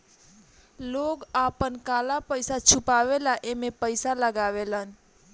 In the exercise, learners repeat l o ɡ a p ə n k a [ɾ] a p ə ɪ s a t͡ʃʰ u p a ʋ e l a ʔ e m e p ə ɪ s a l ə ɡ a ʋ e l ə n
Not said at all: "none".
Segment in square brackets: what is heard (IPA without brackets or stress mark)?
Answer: l